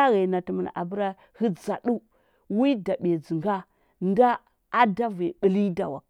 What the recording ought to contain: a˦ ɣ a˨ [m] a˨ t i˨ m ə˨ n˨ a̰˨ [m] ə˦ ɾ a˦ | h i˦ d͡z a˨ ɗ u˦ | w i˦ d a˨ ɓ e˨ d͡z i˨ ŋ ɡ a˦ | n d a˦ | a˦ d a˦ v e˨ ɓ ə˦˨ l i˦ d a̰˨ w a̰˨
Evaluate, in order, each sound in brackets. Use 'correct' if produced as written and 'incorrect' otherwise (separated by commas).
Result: incorrect, incorrect